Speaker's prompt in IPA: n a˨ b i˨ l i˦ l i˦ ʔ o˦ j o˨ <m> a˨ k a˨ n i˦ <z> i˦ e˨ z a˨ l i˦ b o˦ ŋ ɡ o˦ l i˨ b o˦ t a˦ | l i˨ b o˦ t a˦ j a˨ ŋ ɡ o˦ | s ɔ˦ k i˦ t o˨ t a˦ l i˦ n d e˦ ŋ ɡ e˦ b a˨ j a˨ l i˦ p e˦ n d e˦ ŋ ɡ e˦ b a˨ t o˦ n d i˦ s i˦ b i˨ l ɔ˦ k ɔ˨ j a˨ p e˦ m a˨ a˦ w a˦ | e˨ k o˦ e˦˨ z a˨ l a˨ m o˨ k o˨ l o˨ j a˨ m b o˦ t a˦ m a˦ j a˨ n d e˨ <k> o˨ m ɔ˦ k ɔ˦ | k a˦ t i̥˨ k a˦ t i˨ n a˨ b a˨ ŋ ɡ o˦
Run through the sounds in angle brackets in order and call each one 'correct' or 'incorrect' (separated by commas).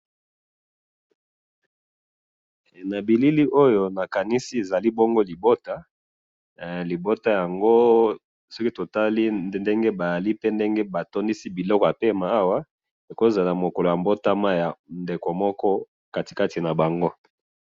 incorrect, incorrect, correct